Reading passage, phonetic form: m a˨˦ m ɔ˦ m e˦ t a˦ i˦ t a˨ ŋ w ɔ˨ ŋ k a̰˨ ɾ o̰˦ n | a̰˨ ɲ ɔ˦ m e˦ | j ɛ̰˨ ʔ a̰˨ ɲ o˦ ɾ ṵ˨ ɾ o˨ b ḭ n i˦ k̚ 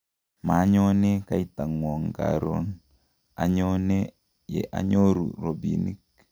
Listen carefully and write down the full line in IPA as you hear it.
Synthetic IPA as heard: m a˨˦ ɲ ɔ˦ n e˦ k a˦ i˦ t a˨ ŋ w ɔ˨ ŋ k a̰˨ ɾ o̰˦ n | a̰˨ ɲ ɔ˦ n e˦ | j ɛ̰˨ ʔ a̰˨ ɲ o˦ ɾ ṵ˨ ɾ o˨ b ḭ n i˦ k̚

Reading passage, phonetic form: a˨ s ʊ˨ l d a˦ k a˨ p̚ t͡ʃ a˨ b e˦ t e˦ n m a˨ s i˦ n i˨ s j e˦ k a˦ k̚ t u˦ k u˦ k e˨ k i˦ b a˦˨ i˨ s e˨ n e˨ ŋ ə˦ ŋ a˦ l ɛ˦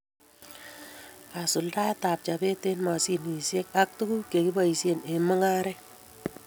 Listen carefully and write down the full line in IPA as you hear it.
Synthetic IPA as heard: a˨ s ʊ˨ l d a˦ t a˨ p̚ t͡ʃ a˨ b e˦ t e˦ n m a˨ s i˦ n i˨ s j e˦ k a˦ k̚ t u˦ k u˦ k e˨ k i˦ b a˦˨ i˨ s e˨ n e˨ m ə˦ ŋ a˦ ɾ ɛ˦

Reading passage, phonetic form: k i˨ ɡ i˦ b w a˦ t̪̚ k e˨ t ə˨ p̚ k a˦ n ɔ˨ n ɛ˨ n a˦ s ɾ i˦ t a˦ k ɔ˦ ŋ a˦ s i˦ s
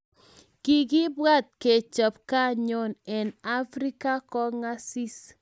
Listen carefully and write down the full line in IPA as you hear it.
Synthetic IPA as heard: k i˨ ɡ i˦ b w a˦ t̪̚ k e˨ t͡ʃ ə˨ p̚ k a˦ ɲ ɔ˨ n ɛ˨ n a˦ f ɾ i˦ k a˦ k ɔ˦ ŋ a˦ s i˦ s

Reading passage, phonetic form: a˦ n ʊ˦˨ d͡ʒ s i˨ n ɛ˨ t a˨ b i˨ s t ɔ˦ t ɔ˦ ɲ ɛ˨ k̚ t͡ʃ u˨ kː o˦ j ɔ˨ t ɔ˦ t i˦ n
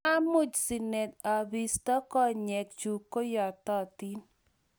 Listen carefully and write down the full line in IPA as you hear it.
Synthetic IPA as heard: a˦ m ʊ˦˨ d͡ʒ s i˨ n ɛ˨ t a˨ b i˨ s t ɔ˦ k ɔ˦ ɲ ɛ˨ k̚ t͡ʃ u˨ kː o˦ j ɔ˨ t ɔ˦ t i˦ n

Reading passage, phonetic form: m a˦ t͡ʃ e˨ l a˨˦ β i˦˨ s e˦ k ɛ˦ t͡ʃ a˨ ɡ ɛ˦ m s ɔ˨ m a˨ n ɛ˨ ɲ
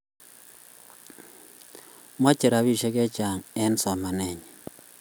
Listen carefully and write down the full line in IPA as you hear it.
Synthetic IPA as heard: m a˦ t͡ʃ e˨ ɾ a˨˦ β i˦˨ ʃ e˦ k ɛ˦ t͡ʃ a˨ ŋ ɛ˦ n s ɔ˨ m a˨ n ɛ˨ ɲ

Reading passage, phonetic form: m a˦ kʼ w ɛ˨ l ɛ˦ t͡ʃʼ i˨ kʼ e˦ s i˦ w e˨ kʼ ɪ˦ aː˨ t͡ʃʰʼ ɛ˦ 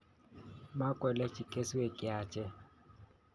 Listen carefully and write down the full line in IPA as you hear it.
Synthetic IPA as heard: m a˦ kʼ w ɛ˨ l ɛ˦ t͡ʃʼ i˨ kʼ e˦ s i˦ w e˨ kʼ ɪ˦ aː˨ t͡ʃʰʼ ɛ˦

